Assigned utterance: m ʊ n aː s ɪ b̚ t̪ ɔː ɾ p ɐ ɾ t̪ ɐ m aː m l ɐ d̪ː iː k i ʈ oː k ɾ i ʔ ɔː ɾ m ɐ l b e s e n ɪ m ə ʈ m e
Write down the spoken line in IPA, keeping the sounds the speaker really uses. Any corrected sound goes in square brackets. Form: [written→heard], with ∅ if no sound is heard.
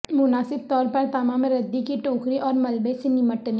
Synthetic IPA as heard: m ʊ n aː s ɪ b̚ t̪ ɔː ɾ p ɐ ɾ t̪ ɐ m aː m [l→ɾ] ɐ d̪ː [iː→i] k i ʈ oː k ɾ i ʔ ɔː ɾ m ɐ l b e s e n ɪ m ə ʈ [m→n] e